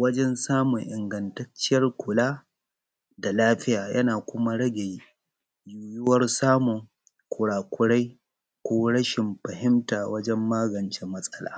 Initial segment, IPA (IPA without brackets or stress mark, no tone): w